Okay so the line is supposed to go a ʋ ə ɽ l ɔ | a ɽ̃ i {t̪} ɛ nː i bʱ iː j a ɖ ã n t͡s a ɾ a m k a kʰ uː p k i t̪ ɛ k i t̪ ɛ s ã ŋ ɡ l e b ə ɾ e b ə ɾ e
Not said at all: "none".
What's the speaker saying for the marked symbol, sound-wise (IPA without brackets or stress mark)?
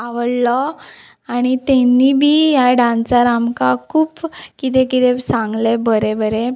t̪